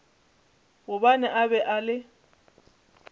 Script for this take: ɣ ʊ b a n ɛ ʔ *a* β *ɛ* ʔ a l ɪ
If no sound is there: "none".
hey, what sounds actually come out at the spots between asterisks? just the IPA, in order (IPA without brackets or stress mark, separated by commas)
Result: a, ɛ